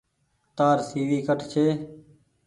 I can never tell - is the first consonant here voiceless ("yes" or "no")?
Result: yes